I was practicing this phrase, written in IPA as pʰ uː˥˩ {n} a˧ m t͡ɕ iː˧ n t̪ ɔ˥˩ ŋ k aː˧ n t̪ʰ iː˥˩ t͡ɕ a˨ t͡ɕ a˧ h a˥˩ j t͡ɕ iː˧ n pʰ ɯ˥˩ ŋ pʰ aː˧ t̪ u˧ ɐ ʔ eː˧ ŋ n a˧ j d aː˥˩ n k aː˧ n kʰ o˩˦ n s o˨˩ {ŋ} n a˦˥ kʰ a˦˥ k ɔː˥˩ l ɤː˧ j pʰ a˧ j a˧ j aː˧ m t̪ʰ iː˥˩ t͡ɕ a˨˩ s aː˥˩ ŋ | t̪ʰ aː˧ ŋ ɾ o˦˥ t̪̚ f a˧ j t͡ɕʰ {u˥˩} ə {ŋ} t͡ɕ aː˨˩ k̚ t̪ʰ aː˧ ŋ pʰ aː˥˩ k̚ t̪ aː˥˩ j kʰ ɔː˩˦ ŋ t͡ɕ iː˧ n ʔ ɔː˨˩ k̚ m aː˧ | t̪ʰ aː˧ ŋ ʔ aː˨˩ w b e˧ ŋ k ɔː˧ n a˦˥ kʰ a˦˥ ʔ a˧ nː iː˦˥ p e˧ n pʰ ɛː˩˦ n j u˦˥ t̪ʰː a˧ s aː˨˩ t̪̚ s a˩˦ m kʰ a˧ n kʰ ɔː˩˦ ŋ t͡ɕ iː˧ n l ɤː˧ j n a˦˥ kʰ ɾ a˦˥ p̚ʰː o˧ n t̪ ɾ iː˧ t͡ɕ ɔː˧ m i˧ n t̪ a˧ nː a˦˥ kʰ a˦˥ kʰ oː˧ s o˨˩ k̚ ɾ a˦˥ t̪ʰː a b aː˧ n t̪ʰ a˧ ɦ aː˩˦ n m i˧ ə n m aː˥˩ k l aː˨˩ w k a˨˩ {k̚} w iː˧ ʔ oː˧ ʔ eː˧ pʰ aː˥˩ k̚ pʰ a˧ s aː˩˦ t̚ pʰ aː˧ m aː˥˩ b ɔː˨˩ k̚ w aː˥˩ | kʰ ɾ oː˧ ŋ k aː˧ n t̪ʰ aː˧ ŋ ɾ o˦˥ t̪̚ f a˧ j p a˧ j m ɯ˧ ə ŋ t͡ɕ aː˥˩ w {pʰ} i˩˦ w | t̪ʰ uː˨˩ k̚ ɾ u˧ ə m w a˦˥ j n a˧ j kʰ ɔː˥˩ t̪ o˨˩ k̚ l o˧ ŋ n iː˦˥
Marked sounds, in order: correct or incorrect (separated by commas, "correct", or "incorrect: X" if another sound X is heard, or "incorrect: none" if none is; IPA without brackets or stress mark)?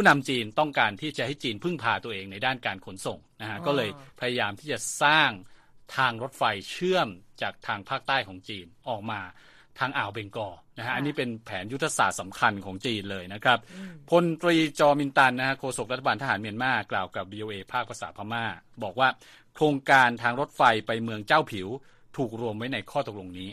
correct, correct, incorrect: ɯ˥˩, incorrect: m, incorrect: p̚, correct